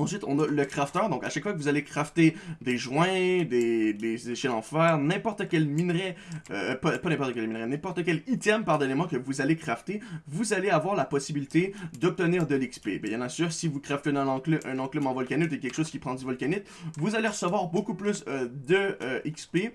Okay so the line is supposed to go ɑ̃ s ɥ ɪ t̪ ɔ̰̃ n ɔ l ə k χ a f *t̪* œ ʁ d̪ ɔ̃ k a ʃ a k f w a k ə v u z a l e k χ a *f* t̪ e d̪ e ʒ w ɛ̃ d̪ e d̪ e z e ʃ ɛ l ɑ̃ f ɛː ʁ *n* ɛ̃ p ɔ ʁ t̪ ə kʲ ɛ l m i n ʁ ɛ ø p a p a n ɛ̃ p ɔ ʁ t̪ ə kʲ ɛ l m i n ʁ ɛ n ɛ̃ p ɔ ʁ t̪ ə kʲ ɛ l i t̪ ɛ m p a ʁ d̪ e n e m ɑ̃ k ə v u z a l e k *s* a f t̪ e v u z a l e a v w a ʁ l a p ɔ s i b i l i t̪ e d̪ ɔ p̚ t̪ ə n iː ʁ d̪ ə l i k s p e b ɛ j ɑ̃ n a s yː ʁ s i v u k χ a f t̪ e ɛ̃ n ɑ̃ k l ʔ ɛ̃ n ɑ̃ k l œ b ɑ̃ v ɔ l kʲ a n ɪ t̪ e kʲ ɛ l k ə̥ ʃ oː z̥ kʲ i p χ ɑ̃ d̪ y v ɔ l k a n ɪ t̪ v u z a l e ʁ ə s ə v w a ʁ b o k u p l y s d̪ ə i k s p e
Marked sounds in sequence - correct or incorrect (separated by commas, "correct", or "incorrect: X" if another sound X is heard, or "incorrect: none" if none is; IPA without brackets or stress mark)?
correct, correct, correct, incorrect: χ